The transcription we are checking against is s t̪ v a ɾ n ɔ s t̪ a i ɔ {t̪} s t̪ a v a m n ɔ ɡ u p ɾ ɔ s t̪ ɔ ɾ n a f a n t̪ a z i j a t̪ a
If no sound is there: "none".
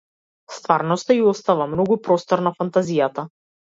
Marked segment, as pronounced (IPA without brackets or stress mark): none